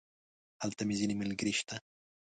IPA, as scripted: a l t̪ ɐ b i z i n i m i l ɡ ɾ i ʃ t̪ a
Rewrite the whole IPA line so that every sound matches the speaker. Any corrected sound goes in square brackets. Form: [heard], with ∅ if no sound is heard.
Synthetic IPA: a l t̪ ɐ [m] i z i n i m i l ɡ ɾ i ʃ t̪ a